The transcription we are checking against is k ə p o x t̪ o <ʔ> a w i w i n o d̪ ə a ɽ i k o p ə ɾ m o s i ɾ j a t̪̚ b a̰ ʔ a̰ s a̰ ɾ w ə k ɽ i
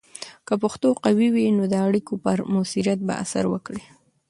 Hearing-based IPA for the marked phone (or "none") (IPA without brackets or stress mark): q